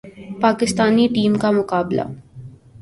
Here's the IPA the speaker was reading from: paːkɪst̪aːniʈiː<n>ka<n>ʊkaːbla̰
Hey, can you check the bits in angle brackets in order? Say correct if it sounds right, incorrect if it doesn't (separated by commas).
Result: incorrect, incorrect